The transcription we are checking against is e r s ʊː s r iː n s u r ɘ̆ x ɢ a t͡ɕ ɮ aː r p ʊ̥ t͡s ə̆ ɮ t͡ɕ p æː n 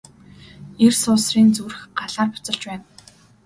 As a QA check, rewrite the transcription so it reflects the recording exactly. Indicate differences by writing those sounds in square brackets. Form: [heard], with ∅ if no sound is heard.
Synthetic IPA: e r s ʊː s r iː n [t͡s] u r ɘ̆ x ɢ a [∅] ɮ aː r p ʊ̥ t͡s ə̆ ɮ t͡ɕ p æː n